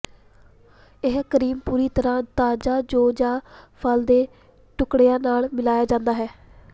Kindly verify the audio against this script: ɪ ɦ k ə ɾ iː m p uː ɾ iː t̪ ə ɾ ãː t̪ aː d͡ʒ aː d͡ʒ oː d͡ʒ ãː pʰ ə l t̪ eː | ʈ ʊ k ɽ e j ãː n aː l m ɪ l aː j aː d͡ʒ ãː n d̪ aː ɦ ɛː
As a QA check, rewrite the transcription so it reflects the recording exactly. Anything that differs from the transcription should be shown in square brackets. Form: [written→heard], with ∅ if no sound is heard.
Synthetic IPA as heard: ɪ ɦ k ə ɾ iː m p uː ɾ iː t̪ ə ɾ ãː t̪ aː d͡ʒ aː d͡ʒ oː d͡ʒ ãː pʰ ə l [t̪→d̪] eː | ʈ ʊ k ɽ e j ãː n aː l m ɪ l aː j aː d͡ʒ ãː n d̪ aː ɦ ɛː